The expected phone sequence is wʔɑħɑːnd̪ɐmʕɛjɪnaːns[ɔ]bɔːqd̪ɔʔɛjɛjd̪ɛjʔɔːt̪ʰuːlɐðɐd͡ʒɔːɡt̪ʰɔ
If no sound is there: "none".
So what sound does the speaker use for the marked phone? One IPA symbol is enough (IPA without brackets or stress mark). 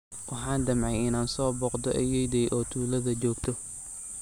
ɔː